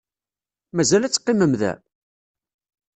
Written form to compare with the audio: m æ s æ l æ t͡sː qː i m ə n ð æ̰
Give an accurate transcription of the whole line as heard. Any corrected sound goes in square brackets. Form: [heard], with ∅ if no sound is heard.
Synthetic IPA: m æ [z] æ l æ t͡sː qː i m ə [m] ð æ̰